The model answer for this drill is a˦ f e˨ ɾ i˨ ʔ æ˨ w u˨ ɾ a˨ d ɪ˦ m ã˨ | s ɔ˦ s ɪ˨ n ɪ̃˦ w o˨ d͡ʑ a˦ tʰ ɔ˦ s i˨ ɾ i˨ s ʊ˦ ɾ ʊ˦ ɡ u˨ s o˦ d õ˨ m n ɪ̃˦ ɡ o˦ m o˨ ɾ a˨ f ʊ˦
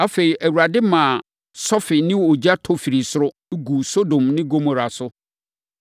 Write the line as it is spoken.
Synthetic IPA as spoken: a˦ f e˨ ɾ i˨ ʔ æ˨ w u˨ ɾ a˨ d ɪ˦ m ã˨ | s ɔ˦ f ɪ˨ n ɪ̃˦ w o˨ d͡ʑ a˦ tʰ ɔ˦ f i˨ ɾ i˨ s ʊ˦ ɾ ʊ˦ ɡ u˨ s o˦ d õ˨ m n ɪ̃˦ ɡ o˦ m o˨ ɾ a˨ s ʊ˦